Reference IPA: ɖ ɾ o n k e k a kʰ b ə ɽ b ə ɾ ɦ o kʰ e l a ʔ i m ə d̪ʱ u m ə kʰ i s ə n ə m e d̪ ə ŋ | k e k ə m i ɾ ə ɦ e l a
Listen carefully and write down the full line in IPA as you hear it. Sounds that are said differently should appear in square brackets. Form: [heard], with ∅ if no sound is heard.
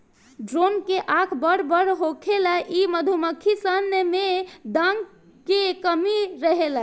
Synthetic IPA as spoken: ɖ ɾ o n k e [ʔ] a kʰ b ə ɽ b ə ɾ ɦ o kʰ e l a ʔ i m ə d̪ʱ u m ə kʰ i s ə n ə m e d̪ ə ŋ | k e k ə m i ɾ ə ɦ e l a